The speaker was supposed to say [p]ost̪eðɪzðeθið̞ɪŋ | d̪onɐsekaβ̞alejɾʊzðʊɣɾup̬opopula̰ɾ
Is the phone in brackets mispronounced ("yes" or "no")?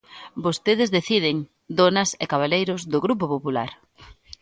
yes